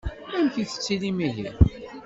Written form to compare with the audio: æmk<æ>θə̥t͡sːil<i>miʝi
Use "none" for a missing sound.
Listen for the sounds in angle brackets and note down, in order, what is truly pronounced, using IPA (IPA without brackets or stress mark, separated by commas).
i, i